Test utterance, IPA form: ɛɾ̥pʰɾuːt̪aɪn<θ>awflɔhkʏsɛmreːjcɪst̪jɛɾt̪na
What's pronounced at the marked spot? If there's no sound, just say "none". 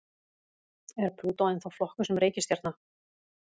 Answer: θ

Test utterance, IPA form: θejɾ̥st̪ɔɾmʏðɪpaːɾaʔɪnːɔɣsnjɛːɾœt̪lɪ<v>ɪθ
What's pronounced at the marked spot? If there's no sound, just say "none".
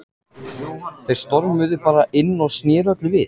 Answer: v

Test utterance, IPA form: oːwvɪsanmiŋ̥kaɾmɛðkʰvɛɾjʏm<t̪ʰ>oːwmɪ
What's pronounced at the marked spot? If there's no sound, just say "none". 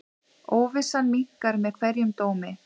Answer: t̪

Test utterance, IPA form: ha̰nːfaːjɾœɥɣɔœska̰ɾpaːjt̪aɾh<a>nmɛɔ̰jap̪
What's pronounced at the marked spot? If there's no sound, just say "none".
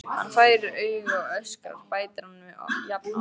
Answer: a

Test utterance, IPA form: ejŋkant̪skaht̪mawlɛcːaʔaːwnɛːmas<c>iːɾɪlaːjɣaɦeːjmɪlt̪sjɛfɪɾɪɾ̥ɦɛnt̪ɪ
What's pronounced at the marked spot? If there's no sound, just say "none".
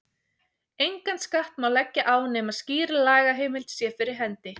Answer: c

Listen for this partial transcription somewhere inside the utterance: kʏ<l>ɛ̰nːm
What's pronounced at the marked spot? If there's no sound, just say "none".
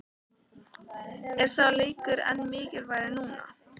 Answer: ɾ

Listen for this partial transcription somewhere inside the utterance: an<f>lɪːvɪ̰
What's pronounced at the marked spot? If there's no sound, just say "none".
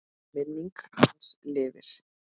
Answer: s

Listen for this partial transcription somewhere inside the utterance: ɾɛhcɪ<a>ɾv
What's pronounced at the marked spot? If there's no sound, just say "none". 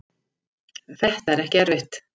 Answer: ɛ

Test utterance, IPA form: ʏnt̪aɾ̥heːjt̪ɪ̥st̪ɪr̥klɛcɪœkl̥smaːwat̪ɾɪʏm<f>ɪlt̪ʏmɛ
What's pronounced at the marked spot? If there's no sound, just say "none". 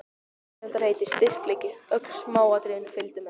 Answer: f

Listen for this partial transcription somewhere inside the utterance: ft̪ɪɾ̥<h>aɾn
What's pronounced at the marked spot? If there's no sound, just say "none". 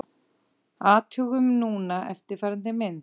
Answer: f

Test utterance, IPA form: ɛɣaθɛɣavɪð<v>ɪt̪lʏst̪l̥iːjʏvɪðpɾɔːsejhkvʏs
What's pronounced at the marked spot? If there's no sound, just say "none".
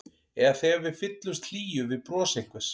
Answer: f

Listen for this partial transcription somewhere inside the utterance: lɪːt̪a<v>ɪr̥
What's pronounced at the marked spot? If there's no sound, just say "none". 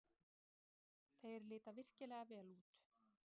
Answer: v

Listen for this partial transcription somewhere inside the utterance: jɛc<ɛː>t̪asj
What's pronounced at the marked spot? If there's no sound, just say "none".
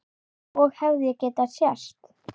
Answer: ɛː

